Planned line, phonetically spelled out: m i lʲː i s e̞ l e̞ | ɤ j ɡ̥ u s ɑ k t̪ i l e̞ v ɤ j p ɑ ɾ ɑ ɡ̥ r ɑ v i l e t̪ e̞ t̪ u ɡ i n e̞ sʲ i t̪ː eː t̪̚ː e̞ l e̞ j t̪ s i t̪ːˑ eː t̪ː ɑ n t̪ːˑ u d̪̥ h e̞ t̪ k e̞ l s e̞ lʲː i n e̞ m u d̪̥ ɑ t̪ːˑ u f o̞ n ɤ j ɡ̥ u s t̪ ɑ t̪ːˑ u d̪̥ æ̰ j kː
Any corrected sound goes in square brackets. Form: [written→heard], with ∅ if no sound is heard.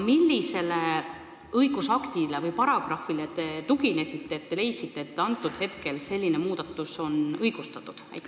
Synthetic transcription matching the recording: m i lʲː i s e̞ l e̞ | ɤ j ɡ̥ u s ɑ k t̪ i l e̞ v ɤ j p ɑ ɾ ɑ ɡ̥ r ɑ [v→f] i l e t̪ e̞ t̪ u ɡ i n e̞ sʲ i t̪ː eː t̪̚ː e̞ l e̞ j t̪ s i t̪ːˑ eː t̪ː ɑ n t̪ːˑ u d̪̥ h e̞ t̪ k e̞ l s e̞ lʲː i n e̞ m [u→uː] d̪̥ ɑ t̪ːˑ u [f→s] o̞ n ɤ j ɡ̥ u s t̪ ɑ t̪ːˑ u d̪̥ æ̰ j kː